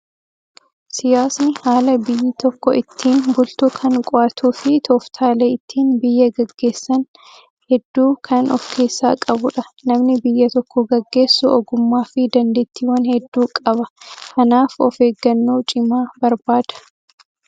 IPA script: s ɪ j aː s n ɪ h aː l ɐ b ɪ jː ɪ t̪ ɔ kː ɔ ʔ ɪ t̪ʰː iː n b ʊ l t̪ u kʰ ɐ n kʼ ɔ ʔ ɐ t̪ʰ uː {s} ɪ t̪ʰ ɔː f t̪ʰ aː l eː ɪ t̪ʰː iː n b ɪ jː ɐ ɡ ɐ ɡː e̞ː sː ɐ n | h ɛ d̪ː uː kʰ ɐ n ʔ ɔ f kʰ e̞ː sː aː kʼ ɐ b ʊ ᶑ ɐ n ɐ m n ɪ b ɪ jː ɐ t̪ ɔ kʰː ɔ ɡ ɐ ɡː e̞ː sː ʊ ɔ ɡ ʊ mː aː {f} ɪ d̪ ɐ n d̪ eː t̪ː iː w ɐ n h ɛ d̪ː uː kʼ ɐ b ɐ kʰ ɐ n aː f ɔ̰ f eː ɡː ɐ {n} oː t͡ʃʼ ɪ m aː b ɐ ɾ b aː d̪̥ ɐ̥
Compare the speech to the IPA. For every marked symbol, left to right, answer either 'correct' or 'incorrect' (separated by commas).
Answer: incorrect, correct, incorrect